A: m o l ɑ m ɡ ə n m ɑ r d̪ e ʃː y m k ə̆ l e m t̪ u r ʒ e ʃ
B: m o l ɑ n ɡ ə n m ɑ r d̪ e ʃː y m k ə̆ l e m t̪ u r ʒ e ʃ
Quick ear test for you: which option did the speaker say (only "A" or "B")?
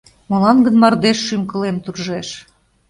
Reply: B